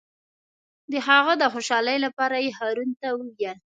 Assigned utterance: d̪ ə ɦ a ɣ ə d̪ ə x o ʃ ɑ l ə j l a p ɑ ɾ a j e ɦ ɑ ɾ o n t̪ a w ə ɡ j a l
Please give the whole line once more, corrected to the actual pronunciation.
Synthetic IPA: d̪ ə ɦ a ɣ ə d̪ ə x o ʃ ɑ l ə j l a p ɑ ɾ a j e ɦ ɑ ɾ u n t̪ a w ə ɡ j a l